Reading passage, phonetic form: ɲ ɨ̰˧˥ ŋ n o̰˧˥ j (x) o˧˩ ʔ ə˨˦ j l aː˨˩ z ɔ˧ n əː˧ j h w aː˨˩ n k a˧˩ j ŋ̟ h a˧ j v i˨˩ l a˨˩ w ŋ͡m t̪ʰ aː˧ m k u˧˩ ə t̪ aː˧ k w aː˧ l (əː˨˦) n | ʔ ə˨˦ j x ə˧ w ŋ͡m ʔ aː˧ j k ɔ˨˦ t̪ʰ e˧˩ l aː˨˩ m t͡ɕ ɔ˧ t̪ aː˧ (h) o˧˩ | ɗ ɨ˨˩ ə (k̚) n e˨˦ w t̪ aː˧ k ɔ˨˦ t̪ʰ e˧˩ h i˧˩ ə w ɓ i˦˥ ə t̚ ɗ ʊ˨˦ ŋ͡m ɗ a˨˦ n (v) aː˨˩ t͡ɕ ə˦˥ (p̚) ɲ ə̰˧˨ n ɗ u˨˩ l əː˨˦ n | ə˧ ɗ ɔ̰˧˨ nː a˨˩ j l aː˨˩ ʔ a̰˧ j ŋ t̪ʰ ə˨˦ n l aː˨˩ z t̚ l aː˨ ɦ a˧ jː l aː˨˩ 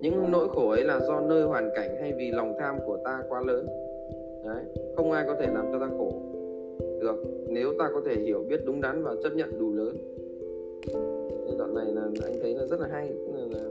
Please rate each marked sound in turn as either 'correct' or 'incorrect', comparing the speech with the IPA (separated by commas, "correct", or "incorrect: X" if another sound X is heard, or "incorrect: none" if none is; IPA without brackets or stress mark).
correct, correct, incorrect: x, correct, correct, incorrect: t̚